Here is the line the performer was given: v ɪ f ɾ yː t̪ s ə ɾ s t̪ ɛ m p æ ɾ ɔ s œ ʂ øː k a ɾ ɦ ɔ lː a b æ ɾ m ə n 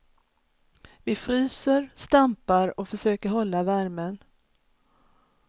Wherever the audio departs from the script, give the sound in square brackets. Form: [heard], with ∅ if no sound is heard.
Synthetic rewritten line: v ɪ f ɾ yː [∅] s ə ɾ s t̪ [a] m p [a] ɾ ɔ [f] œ ʂ øː k [ə] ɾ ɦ ɔ lː a [v] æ ɾ m ə n